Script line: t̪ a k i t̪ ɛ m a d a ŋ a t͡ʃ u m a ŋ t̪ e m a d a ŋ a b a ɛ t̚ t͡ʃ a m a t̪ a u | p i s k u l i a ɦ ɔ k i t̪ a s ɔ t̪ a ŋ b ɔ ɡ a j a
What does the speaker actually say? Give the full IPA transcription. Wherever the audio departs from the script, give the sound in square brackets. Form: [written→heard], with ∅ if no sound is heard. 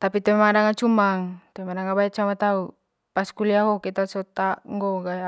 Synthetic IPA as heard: t̪ a [k→p] i t̪ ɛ m a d a ŋ a t͡ʃ u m a ŋ t̪ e m a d a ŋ a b a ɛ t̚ t͡ʃ a m a t̪ a u | p [i→a] s k u l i a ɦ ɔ k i t̪ a s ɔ t̪ a ŋ [b→ɡ] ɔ ɡ a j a